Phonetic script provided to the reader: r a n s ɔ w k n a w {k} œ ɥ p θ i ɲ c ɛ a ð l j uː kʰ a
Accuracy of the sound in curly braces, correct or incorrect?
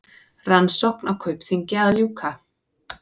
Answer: incorrect: kʰ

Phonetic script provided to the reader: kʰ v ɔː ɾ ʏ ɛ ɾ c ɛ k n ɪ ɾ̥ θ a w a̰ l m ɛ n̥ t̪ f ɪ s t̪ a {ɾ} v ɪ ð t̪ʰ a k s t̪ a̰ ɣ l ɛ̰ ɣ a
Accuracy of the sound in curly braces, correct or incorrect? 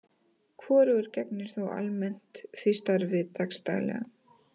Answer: correct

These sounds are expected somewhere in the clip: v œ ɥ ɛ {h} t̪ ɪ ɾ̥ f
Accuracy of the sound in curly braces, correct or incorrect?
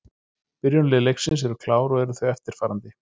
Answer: incorrect: f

